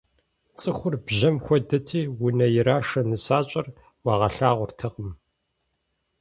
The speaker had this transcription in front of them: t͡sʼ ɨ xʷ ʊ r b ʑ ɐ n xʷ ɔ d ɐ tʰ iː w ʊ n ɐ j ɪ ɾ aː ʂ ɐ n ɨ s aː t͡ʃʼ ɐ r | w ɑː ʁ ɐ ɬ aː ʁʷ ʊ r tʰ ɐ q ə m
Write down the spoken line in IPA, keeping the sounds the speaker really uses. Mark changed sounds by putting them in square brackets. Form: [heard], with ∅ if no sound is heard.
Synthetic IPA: t͡sʼ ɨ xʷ ʊ r b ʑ ɐ [m] xʷ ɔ d ɐ tʰ iː w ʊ n ɐ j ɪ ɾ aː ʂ ɐ n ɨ s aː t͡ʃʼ ɐ r | w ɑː ʁ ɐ ɬ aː ʁʷ ʊ r tʰ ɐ q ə m